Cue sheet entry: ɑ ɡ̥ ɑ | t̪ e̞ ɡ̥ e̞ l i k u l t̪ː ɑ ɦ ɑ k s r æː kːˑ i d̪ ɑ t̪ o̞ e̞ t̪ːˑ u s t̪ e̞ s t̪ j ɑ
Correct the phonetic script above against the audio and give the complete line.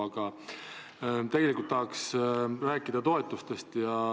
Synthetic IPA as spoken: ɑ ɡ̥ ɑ | t̪ e̞ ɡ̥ e̞ l i k u l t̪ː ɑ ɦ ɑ k s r æː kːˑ i d̪ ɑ t̪ o̞ e̞ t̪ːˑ u s t̪ e̞ s t̪ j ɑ